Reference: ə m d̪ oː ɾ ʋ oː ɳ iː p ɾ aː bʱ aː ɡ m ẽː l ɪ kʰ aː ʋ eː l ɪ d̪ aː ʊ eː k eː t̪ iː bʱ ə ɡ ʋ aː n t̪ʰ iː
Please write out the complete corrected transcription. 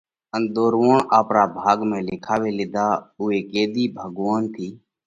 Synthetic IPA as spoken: ə n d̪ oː ɾ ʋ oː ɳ aː p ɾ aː bʱ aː ɡ m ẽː l ɪ kʰ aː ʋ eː l ɪ d̪ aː ʊ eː k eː d̪ iː bʱ ə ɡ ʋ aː n t̪ʰ iː